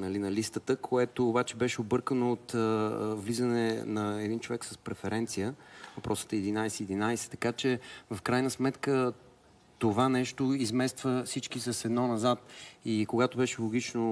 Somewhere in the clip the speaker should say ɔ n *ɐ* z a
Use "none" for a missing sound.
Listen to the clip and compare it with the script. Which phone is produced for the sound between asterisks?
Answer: ɐ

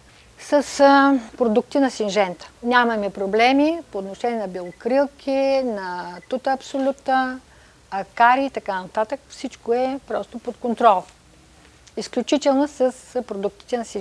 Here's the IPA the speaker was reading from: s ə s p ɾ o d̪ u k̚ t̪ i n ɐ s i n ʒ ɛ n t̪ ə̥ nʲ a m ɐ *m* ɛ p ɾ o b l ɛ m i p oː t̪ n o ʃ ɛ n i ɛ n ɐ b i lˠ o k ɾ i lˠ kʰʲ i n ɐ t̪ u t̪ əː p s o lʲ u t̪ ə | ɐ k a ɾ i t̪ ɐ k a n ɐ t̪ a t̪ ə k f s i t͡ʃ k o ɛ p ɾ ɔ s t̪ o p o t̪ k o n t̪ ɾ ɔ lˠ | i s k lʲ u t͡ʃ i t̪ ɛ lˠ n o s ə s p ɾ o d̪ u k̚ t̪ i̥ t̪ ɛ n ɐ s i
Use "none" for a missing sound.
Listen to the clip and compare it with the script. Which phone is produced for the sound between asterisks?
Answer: m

